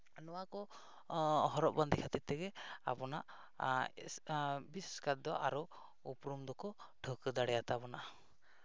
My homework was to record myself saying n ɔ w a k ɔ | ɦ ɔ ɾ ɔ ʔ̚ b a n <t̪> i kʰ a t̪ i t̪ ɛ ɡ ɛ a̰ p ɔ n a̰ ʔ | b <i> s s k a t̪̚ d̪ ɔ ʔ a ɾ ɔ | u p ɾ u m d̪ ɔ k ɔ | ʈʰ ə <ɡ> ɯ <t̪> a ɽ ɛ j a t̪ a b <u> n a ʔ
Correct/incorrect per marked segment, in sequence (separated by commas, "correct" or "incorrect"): incorrect, correct, incorrect, incorrect, incorrect